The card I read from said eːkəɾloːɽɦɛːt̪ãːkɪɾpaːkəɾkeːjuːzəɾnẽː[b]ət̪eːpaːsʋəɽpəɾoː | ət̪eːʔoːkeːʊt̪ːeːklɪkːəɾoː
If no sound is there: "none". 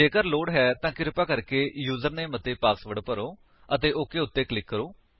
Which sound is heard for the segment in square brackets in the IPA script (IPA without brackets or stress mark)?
m